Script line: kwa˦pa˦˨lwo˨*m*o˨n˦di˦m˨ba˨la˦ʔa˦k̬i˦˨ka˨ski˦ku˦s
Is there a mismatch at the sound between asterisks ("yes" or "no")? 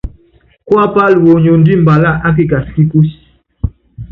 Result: yes